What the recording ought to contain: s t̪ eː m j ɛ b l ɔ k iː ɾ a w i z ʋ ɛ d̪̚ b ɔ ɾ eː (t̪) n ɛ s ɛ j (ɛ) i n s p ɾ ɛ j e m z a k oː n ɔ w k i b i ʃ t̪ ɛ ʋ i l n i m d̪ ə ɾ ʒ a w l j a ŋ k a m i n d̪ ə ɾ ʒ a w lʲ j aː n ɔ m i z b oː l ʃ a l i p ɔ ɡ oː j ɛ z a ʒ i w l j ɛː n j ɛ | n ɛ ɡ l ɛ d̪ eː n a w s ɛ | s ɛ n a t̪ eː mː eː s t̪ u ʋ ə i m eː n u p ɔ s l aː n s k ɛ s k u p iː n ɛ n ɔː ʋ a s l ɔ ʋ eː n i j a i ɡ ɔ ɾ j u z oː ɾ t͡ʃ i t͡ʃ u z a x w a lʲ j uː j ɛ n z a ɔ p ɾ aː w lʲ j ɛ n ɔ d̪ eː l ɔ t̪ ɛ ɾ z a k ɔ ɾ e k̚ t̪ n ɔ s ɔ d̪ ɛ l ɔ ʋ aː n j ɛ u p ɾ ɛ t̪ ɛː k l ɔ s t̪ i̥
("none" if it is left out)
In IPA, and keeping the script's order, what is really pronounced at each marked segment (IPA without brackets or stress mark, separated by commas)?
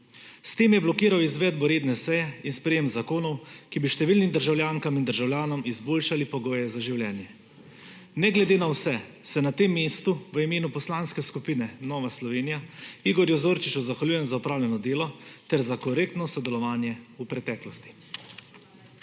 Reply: d̪, ɛ